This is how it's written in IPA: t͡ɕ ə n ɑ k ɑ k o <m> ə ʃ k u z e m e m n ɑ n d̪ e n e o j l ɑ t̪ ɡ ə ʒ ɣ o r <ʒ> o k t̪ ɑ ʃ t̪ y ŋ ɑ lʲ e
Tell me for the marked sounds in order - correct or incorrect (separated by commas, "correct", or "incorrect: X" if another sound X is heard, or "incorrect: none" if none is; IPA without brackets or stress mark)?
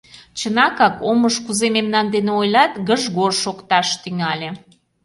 correct, incorrect: ʃ